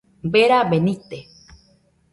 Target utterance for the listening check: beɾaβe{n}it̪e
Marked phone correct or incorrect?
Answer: correct